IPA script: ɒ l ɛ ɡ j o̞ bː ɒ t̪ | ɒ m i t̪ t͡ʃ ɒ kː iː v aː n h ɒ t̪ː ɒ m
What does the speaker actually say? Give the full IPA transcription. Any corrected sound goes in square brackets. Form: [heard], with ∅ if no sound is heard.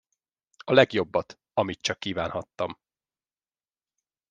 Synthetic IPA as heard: ɒ l ɛ ɡ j o̞ bː ɒ t̪ | ɒ m i t̪ t͡ʃ ɒ kː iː v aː n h ɒ t̪ː ɒ m